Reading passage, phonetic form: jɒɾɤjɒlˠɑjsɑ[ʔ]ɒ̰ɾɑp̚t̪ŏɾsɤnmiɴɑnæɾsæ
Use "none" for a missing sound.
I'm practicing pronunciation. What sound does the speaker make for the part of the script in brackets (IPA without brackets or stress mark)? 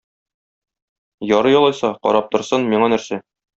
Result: q